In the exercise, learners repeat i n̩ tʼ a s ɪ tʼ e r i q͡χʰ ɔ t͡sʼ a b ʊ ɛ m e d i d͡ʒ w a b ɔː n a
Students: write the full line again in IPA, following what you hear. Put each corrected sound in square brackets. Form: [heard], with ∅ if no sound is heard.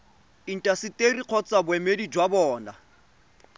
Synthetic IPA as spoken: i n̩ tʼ a s ɪ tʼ e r i q͡χʰ ɔ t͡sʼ a b ʊ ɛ m e d i d͡ʒ w a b ɔː n a